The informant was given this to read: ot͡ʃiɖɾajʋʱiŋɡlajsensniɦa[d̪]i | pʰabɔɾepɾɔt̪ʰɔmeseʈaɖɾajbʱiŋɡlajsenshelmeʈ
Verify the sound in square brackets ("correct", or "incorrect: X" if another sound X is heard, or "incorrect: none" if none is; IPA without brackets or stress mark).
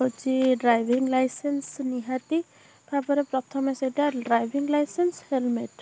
incorrect: t̪